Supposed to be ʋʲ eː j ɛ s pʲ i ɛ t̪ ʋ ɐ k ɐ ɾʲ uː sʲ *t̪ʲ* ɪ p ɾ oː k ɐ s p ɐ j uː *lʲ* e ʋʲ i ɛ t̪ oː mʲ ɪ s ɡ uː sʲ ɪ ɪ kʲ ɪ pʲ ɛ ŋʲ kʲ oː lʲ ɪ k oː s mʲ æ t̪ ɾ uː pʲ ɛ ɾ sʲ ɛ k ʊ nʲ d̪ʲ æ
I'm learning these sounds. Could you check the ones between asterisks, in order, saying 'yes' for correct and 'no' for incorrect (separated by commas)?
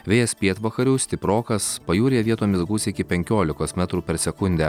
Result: yes, no